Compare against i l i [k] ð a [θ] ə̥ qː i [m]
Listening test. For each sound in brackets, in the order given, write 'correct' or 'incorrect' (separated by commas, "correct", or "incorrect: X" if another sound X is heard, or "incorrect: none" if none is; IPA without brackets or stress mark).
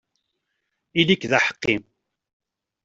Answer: correct, incorrect: ħ, correct